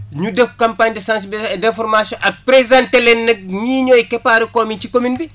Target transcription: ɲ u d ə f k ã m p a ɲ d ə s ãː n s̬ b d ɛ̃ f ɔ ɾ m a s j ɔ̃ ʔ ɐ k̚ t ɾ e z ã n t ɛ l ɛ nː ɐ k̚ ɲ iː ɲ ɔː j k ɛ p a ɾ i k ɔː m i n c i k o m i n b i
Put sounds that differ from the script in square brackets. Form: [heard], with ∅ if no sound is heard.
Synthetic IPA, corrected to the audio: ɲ u d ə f k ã m p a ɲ d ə s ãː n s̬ b d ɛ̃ f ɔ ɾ m a s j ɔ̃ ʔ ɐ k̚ [p] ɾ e z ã n t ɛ l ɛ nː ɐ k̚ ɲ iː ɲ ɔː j k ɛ p a ɾ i k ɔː m i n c i k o m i n b i